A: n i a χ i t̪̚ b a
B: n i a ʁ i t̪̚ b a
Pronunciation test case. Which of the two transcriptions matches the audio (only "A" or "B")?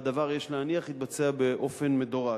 A